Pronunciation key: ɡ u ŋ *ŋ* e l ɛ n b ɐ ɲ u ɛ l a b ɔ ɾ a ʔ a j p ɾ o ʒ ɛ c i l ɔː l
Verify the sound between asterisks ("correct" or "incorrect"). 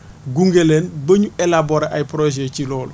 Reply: incorrect